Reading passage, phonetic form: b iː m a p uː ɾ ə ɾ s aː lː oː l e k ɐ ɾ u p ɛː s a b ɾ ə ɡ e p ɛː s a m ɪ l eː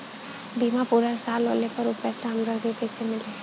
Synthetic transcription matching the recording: b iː m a p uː ɾ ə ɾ s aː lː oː l e p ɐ ɾ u p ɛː s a m ɾ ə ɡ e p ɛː s e m ɪ l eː